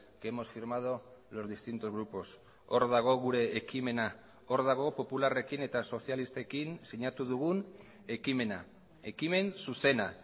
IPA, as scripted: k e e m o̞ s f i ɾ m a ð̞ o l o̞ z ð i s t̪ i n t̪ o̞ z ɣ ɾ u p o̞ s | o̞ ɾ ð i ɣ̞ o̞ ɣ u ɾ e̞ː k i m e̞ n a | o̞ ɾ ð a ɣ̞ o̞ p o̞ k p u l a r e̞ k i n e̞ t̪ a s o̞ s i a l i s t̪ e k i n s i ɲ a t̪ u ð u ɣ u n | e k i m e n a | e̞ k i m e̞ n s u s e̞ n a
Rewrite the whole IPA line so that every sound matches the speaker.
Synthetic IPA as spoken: k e e m o̞ s f i ɾ m a ð̞ o l o̞ z ð i s t̪ i n t̪ o̞ z ɣ ɾ u p o̞ s | o̞ ɾ ð a ɣ̞ o̞ ɣ u ɾ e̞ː k i m e̞ n a | o̞ ɾ ð a ɣ̞ o̞ p o̞ p u l a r e̞ k i n e̞ t̪ a s o̞ s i a l i s t̪ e k i n s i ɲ a t̪ u ð u ɣ u n | e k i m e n a | e̞ k i m e̞ n s u s e̞ n a